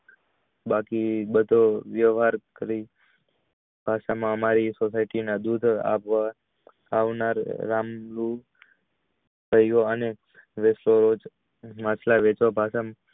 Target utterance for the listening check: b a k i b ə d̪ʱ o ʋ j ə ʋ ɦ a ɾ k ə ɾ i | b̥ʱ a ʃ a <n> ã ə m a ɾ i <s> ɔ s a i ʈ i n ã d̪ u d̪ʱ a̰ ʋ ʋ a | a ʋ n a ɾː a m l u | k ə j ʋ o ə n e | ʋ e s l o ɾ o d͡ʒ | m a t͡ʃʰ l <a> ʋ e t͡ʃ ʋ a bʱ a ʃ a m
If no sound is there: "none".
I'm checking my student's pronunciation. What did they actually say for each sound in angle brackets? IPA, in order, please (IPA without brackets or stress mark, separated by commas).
m, s, a